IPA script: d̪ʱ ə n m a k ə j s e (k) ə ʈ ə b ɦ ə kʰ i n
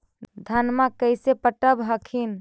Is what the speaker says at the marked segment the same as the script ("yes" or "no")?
no